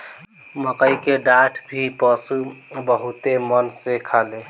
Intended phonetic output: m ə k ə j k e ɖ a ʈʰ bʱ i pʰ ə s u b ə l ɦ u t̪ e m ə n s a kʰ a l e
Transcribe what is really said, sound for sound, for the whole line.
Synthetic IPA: m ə k ə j k e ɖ a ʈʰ bʱ i p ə s u b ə ɦ u t̪ e m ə n s e kʰ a l e